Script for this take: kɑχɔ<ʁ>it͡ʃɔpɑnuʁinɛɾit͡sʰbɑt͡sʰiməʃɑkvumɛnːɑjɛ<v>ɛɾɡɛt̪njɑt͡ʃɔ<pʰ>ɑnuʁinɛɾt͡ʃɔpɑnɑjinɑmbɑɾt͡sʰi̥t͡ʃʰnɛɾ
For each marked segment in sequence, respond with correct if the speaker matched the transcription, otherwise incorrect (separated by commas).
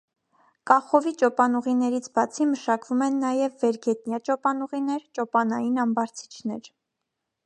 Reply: incorrect, incorrect, incorrect